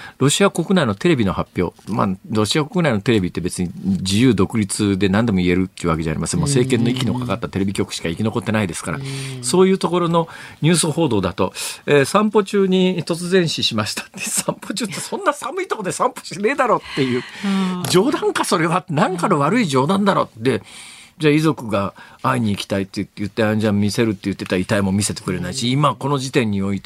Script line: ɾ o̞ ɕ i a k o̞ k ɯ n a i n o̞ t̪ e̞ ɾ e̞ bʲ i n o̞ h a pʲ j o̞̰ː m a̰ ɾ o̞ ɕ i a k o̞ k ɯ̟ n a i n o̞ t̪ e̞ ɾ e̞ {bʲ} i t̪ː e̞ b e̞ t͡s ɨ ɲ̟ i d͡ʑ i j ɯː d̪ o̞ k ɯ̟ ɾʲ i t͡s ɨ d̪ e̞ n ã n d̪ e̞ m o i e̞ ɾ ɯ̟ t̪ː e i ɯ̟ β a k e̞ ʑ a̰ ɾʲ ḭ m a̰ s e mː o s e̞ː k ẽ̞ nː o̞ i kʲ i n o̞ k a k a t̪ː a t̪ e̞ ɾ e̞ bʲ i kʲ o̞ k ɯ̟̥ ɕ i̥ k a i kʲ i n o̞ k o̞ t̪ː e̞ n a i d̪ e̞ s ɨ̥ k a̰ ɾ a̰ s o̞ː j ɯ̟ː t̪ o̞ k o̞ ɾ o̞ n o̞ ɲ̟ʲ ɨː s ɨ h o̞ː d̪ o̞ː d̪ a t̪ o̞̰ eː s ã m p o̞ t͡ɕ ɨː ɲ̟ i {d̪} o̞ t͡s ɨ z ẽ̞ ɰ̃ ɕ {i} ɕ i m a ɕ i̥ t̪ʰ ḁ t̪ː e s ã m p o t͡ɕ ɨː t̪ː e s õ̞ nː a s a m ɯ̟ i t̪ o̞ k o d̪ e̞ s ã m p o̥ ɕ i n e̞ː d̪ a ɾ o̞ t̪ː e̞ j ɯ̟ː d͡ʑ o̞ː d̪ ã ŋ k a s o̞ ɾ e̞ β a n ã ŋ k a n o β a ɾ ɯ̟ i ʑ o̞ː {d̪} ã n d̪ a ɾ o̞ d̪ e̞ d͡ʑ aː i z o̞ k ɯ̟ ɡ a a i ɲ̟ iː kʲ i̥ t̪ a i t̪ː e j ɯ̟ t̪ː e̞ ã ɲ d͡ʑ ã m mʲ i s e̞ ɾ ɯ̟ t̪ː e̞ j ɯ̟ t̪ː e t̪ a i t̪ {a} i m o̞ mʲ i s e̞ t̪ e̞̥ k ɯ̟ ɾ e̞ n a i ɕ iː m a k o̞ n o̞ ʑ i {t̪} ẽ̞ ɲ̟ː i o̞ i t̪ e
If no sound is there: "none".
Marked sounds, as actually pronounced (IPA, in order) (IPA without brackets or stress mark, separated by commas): bʲ, t̪, i, d̪, a, t̪